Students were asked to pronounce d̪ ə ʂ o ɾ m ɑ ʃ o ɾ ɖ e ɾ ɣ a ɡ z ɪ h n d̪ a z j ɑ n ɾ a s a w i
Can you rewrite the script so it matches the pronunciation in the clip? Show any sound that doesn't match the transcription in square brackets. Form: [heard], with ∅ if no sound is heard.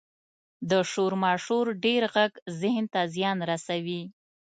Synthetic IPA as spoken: d̪ ə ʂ o ɾ m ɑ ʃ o ɾ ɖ e ɾ ɣ a ɡ z ɪ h n [t̪] a z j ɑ n ɾ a s a w i